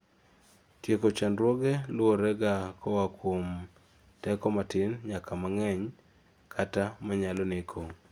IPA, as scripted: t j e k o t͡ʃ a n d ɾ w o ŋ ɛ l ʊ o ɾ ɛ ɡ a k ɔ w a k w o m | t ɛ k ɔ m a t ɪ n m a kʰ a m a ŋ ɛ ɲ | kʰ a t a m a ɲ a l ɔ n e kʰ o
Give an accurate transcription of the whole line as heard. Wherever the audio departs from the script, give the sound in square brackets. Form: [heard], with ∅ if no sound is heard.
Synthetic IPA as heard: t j e k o t͡ʃ a n d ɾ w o [ɡ] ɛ l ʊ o ɾ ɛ ɡ a k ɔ w a k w o m | t ɛ k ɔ m a t ɪ n [ɲ] a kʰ a m a ŋ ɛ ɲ | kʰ a t a m a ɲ a l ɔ n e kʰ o

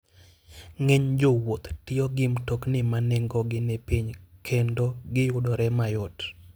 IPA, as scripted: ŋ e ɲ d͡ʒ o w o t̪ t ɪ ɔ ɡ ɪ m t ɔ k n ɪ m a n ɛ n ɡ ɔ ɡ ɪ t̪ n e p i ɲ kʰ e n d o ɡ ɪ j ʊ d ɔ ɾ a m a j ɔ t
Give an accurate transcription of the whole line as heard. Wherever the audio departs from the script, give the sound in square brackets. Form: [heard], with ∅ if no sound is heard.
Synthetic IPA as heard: ŋ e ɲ d͡ʒ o w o t̪ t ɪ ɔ ɡ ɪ m t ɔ k n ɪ m a n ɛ [ŋ] ɡ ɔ ɡ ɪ [∅] n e p i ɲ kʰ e n d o ɡ ɪ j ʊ d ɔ ɾ [ɛ] m a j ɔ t

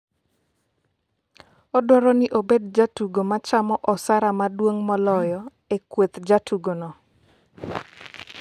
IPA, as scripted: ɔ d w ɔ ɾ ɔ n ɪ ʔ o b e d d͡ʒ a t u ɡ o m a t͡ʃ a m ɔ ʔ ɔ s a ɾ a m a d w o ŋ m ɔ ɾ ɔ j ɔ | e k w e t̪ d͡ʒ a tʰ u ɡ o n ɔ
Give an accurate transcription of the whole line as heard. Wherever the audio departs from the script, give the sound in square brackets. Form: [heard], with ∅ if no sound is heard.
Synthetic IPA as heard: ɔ d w ɔ ɾ ɔ n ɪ ʔ o b e d d͡ʒ a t u ɡ o m a t͡ʃ a m ɔ ʔ ɔ s a ɾ a m a d w o ŋ m ɔ [l] ɔ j ɔ | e k w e t̪ d͡ʒ a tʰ u ɡ o n ɔ

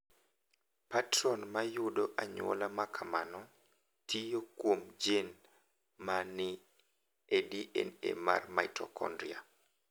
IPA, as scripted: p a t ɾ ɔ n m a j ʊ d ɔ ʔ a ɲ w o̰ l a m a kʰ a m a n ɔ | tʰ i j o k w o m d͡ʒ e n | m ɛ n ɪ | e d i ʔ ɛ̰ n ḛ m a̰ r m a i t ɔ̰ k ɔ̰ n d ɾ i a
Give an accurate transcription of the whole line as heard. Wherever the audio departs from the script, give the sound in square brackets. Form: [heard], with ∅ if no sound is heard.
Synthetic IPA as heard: p a t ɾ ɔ n m a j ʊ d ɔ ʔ a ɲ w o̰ l a m a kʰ a m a n ɔ | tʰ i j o k w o m d͡ʒ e n | m [a] n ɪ | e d i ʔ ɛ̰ n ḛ m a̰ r m a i t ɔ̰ k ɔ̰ n d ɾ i a

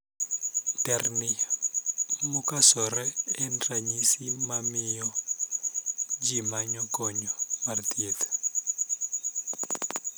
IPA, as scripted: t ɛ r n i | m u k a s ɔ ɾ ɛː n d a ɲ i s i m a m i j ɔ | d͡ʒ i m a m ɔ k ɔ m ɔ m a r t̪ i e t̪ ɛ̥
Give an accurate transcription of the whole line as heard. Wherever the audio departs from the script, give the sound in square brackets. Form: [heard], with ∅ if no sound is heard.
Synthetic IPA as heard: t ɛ r n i | m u k a s ɔ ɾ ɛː n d a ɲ i s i m a m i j ɔ | d͡ʒ i m a [ɲ] ɔ k ɔ [ɲ] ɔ m a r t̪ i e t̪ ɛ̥

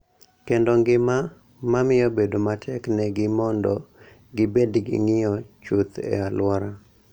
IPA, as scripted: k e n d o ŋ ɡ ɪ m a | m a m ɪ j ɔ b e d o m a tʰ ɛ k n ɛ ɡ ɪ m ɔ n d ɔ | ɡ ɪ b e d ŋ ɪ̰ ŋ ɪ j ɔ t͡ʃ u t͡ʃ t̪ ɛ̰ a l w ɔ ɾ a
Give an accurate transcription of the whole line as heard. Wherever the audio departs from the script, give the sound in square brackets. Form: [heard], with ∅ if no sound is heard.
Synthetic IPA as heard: k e n d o ŋ ɡ ɪ m a | m a m ɪ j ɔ b e d o m a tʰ ɛ k n ɛ ɡ ɪ m ɔ n d ɔ | ɡ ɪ b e d [ɡ] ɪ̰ ŋ ɪ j ɔ t͡ʃ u [∅] t̪ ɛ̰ a l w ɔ ɾ a

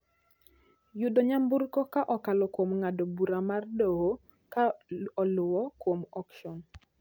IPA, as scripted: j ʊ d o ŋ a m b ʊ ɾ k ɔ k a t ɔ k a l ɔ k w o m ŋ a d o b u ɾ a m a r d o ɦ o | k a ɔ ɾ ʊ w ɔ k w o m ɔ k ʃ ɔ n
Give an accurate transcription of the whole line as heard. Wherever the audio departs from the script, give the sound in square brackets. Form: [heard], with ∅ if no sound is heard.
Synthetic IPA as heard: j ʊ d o [ɲ] a m b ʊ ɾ k ɔ k a [ʔ] ɔ k a l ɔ k w o m ŋ a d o b u ɾ a m a r d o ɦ o | k a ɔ [l] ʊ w ɔ k w o m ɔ k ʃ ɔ n

